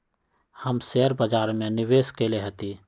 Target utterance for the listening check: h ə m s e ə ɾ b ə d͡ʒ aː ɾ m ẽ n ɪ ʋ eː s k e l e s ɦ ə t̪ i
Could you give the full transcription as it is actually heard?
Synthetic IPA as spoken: h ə m s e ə ɾ b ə d͡ʒ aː ɾ m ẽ n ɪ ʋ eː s k e l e ɦ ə t̪ i